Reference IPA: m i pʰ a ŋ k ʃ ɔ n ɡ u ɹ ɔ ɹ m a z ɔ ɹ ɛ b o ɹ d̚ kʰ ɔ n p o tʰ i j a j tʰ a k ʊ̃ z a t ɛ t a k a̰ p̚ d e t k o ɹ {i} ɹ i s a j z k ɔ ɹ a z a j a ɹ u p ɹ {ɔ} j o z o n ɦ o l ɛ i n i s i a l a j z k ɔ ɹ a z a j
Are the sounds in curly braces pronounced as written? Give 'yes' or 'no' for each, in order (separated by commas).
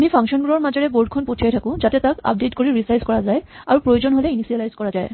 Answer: yes, no